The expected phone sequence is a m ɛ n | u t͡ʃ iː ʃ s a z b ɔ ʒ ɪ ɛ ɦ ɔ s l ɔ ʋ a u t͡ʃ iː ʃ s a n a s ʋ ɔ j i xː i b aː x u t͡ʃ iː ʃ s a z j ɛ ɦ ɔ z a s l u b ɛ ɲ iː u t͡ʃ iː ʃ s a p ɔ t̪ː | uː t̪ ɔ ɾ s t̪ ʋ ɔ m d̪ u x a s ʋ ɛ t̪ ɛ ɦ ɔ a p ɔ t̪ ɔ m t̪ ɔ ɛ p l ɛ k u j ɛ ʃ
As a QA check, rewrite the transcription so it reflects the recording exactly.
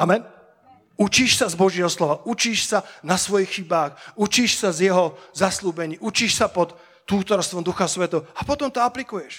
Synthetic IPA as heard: a m ɛ n | u t͡ʃ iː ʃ s a z b ɔ ʒ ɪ ɛ ɦ ɔ s l ɔ ʋ a u t͡ʃ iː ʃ s a n a s ʋ ɔ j i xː i b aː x u t͡ʃ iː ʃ s a z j ɛ ɦ ɔ z a s l uː b ɛ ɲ iː u t͡ʃ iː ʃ s a p ɔ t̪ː | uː t̪ ɔ ɾ s t̪ ʋ ɔ m d̪ u x a s ʋ ɛ t̪ ɛ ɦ ɔ a p ɔ t̪ ɔ m t̪ ɔ a p l i k u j ɛ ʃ